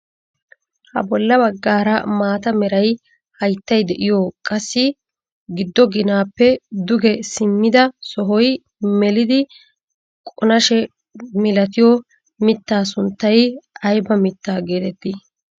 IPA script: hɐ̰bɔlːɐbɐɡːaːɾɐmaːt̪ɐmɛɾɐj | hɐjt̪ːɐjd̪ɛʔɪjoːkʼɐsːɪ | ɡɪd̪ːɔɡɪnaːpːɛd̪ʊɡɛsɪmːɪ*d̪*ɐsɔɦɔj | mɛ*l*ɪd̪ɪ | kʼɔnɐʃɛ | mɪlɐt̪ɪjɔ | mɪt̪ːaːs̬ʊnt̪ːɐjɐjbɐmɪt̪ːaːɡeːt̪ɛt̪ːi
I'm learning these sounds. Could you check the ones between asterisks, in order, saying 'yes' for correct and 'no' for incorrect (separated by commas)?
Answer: yes, yes